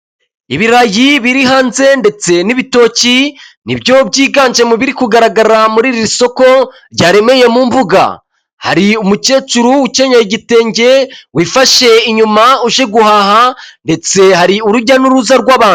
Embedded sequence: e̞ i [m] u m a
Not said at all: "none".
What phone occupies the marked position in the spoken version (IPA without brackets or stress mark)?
ɲ